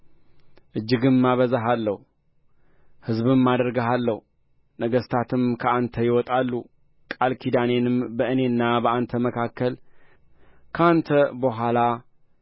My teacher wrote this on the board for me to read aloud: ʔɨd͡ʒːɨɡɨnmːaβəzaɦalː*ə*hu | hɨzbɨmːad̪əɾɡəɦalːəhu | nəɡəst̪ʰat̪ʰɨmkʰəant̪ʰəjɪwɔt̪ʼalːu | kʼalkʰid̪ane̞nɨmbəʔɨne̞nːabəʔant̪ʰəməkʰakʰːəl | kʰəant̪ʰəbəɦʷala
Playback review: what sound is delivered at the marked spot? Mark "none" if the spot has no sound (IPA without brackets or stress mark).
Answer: ə